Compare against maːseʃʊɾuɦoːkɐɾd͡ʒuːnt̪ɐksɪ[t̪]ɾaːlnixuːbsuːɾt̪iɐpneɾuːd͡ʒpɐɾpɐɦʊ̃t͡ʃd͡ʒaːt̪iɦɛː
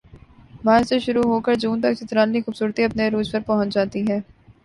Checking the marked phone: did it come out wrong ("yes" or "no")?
no